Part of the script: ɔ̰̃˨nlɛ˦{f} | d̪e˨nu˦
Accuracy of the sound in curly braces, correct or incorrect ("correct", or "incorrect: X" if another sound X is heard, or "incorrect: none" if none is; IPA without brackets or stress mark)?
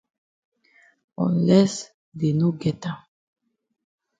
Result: incorrect: s